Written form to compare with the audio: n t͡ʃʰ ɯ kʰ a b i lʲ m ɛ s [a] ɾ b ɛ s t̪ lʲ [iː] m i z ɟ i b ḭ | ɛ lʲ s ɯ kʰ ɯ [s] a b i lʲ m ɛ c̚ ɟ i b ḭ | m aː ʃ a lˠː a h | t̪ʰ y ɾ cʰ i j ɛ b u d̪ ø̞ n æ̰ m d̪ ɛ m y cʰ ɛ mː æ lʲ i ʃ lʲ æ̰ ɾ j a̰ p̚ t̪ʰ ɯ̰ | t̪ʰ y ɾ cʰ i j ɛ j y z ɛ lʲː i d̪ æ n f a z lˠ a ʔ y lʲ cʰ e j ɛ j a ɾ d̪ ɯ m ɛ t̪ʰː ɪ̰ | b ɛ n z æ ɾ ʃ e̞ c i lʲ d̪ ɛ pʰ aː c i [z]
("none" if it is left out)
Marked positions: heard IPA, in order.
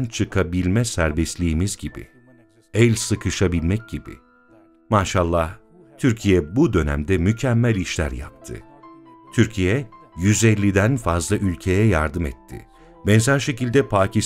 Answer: æ, iː, ʃ, s

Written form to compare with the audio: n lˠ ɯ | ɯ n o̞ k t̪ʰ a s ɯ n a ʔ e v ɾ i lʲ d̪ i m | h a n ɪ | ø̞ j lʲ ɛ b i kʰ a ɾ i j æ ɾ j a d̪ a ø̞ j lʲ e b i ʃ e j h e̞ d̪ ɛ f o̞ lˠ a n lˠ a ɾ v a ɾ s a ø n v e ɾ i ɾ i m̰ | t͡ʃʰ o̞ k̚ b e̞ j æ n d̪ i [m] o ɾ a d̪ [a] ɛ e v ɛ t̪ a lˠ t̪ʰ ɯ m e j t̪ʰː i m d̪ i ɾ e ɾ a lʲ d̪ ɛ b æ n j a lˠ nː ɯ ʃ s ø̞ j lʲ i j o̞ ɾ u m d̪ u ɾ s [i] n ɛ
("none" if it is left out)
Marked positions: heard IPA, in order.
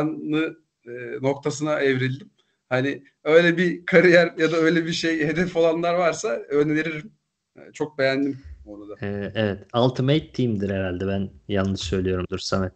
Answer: m, a, a

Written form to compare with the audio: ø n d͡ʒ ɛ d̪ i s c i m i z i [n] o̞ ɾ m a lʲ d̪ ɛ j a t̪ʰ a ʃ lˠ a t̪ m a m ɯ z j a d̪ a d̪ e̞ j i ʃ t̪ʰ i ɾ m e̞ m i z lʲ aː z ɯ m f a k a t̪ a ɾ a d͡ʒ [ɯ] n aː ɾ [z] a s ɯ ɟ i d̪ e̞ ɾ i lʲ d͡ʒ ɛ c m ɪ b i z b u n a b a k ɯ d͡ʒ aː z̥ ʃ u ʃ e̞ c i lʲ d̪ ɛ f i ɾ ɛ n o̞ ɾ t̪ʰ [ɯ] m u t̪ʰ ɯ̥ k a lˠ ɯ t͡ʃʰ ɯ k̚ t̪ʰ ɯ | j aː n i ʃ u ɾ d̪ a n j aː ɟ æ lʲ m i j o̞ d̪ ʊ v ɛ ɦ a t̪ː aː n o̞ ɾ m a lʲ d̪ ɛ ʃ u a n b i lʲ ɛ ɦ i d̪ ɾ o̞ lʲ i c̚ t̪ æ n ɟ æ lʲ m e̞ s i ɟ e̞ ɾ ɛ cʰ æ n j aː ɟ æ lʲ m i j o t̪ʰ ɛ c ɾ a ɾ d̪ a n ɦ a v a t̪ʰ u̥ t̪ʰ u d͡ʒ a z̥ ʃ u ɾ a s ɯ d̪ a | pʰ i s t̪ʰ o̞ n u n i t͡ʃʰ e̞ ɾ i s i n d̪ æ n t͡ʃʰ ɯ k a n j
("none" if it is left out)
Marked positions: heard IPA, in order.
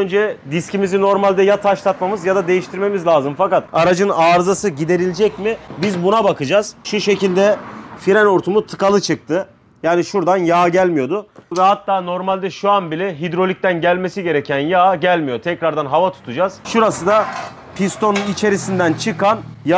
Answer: n, ɯ, z, u

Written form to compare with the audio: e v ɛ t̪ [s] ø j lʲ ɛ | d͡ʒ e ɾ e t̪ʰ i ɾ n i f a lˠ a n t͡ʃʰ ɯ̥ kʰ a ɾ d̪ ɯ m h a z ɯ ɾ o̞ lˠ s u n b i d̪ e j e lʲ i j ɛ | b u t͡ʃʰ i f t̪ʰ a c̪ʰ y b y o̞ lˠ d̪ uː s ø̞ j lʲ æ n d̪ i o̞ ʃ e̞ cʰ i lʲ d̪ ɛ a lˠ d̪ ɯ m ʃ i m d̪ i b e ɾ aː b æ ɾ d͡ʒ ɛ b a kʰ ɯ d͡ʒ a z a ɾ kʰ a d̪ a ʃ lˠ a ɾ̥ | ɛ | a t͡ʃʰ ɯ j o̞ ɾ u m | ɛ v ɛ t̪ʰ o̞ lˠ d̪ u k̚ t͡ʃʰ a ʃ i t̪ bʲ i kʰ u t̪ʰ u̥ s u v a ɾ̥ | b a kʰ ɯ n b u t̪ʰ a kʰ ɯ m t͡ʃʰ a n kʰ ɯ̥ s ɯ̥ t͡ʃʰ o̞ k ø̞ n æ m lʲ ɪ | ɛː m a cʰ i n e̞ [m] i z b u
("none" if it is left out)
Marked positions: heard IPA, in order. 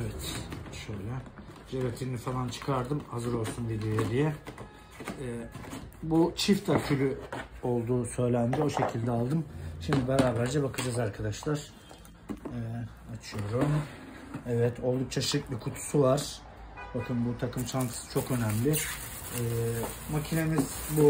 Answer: ʃ, m

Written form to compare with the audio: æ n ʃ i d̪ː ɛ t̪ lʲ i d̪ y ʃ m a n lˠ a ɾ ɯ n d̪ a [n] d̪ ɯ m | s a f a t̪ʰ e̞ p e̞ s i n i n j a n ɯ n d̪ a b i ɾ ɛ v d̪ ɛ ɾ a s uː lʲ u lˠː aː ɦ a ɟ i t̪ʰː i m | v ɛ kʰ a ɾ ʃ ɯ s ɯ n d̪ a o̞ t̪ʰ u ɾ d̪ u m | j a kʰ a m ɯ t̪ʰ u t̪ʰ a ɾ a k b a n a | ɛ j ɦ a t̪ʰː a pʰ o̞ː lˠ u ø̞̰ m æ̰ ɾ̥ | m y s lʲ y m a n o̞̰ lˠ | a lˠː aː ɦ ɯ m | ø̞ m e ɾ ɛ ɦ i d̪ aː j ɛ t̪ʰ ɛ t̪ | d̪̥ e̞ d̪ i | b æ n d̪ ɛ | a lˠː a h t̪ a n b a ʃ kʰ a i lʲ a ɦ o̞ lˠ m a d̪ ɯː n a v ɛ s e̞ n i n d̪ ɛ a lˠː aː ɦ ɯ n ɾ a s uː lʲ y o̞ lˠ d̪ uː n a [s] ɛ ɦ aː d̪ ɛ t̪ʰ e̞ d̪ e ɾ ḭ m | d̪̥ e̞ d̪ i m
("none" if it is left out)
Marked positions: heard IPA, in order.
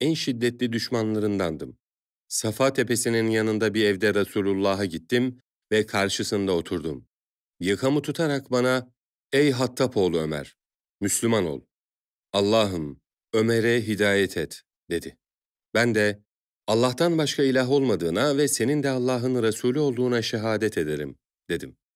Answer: n, ʃ

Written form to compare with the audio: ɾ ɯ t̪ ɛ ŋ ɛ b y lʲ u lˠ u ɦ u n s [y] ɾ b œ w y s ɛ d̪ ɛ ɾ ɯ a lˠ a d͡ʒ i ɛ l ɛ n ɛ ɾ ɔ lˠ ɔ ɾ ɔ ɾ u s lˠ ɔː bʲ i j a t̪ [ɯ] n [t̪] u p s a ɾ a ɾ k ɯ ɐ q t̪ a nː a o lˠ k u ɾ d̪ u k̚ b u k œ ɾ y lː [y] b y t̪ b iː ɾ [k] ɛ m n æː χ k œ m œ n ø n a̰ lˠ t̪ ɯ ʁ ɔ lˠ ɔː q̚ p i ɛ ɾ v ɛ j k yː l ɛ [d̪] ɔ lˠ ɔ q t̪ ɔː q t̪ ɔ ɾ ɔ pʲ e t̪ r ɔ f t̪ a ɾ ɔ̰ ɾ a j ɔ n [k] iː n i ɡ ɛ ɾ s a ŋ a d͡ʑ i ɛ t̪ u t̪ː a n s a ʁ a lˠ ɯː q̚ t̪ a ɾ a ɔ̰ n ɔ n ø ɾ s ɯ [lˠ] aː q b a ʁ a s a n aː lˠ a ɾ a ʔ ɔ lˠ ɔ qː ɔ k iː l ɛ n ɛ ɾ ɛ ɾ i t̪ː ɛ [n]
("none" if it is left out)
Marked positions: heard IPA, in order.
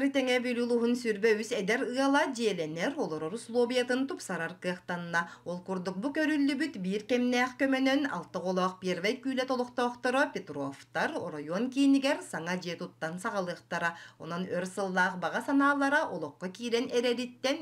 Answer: y, ɯ, t̪, y, k, t̪, k, lˠː, n

